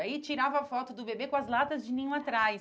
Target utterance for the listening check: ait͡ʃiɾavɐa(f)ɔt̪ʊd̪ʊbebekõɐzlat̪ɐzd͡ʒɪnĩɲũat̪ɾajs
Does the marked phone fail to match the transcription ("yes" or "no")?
no